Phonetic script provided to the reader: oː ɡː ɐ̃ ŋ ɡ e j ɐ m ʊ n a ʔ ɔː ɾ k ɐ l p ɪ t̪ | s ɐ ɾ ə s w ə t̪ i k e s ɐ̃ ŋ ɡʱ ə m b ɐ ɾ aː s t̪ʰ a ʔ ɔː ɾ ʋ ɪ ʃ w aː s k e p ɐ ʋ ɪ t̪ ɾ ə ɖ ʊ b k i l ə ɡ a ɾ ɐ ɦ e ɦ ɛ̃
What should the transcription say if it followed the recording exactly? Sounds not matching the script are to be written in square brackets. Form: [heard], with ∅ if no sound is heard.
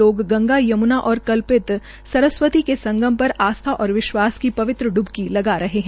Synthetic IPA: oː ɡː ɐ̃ ŋ ɡ [a] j ɐ m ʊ n a ʔ ɔː ɾ k ɐ l p ɪ t̪ | s ɐ ɾ ə s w ə t̪ i k e s ɐ̃ ŋ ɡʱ ə m [p] ɐ ɾ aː s t̪ʰ a ʔ ɔː ɾ ʋ ɪ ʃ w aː s k [i] p ɐ ʋ ɪ t̪ ɾ ə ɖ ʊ b k i l [ɐ] ɡ a ɾ ɐ ɦ e ɦ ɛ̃